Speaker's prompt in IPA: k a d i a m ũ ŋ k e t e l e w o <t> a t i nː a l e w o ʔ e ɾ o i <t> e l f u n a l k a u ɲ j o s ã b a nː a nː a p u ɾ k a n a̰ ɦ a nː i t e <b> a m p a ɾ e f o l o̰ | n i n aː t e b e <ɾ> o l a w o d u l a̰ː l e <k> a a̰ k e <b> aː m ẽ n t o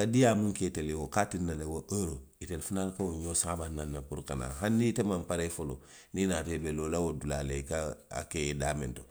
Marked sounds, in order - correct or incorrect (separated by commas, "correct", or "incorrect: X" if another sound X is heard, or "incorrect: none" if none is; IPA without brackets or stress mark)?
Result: incorrect: k, correct, incorrect: m, incorrect: l, correct, incorrect: d